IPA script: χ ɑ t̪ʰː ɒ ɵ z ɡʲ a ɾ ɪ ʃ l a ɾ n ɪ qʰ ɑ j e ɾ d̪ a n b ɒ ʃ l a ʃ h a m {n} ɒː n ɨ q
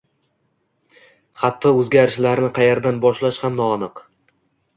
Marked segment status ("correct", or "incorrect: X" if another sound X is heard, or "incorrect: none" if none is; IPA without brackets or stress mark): correct